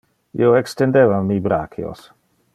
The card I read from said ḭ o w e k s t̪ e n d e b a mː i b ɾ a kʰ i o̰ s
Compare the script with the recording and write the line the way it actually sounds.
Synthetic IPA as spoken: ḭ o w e k s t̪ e n d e v a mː i b ɾ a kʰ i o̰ s